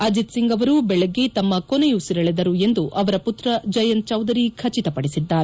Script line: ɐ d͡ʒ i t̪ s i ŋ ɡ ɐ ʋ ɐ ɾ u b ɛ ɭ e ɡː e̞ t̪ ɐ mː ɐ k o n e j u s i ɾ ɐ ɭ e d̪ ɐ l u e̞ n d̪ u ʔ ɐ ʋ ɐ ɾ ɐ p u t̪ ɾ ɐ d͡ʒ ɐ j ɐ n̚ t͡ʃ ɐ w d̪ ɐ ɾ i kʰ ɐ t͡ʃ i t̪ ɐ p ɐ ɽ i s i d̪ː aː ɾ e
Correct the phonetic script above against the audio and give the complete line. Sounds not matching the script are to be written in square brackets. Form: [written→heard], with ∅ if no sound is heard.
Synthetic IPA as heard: ɐ d͡ʒ i t̪ s i ŋ ɡ ɐ ʋ ɐ ɾ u b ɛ ɭ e ɡː e̞ t̪ ɐ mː ɐ k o n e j u s i ɾ ɐ ɭ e d̪ ɐ [l→ɾ] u e̞ n d̪ u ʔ ɐ ʋ ɐ ɾ ɐ p u t̪ ɾ ɐ d͡ʒ ɐ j ɐ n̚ t͡ʃ ɐ w d̪ ɐ ɾ i kʰ ɐ t͡ʃ i t̪ ɐ p ɐ ɽ i s i d̪ː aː ɾ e